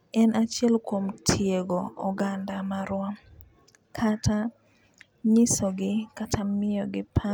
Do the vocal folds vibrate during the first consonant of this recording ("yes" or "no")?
yes